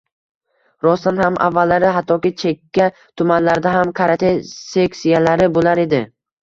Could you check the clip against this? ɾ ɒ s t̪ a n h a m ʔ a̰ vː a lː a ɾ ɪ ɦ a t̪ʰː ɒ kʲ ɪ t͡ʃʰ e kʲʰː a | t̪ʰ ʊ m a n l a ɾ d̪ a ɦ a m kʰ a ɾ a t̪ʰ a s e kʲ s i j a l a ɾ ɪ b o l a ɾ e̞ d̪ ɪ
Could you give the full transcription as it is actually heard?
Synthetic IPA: ɾ ɒ s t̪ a n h a m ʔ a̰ vː a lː a ɾ ɪ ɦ a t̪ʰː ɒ kʲ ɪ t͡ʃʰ e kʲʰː a | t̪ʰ ʊ m a n l a ɾ d̪ a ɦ a m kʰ a ɾ a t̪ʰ e s e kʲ s i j a l a ɾ ɪ b o l a ɾ e̞ d̪ ɪ

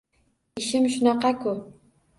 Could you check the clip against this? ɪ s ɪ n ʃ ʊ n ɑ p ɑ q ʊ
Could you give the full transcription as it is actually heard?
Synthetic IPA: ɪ ʃ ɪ m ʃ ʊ n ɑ q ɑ k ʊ

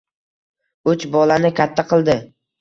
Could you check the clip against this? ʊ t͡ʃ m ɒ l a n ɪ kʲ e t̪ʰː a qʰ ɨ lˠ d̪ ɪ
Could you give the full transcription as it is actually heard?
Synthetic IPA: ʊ t͡ʃ b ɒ l a n ɪ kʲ a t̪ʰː a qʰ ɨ lˠ d̪ ɪ

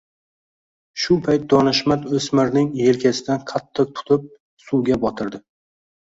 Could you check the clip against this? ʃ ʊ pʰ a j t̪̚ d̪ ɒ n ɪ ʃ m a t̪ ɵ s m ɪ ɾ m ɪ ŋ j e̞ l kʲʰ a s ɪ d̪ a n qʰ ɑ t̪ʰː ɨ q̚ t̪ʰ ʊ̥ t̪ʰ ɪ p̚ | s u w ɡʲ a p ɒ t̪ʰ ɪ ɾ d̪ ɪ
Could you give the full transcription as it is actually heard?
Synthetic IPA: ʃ ʊ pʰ a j t̪̚ d̪ ɒ n ɪ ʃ m a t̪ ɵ s m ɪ ɾ n ɪ ŋ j e̞ l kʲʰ a s ɪ d̪ a n qʰ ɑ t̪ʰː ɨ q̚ t̪ʰ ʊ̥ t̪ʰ ɪ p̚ | s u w ɡʲ a b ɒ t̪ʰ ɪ ɾ d̪ ɪ

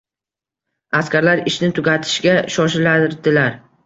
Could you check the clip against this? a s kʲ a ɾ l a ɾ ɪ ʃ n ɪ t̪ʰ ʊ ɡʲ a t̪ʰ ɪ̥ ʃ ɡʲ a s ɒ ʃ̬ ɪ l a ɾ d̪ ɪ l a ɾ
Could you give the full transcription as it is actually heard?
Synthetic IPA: a s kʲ a ɾ l a ɾ ɪ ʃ n ɪ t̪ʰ ʊ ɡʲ a t̪ʰ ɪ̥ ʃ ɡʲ a ʃ ɒ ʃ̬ ɪ l a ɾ d̪ ɪ l a ɾ

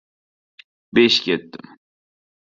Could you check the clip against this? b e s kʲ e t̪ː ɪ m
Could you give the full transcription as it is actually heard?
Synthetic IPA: b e ʃ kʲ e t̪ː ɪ m

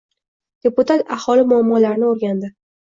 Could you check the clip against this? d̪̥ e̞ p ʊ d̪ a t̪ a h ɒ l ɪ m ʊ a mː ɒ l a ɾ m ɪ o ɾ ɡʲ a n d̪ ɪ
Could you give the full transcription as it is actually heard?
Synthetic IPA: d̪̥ e̞ p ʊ t̪ a t̪ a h ɒ l ɪ m ʊ a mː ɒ l a ɾ n ɪ o ɾ ɡʲ a n d̪ ɪ

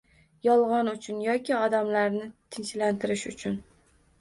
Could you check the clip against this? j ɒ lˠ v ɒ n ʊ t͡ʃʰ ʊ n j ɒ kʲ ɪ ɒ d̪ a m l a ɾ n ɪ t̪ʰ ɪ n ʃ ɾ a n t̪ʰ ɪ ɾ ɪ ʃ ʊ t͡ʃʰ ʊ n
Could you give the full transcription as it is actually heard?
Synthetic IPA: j ɒ lˠ ʁ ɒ n ʊ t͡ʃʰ ʊ n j ɒ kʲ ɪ ɒ d̪ a m l a ɾ n ɪ t̪ʰ ɪ n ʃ l a n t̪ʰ ɪ ɾ ɪ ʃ ʊ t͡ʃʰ ʊ n

